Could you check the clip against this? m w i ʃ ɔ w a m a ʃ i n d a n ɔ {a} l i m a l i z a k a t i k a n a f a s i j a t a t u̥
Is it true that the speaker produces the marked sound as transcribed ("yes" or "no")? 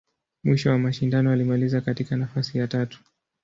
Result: yes